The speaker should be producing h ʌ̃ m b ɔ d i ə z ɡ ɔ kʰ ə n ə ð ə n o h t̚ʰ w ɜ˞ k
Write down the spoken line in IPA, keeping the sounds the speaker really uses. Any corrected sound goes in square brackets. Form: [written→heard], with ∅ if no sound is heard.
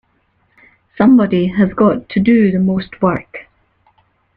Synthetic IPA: [h→s] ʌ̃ m b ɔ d i ə z ɡ ɔ [kʰ→tʰ] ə [n→d] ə ð ə [n→m] o [h→s] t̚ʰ w ɜ˞ k